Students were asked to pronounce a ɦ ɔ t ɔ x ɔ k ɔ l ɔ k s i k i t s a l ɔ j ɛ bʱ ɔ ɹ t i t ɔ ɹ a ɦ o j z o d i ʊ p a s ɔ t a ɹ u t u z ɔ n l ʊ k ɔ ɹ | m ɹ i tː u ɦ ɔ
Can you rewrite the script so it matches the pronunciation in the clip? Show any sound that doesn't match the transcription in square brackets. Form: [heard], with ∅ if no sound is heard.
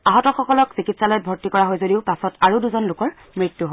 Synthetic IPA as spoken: a ɦ ɔ t ɔ x ɔ k ɔ l ɔ k s i k i t s a l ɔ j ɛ bʱ ɔ ɹ t i [k] ɔ ɹ a ɦ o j z o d i ʊ p a s ɔ t a ɹ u [d] u z ɔ n l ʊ k ɔ ɹ | m ɹ i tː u ɦ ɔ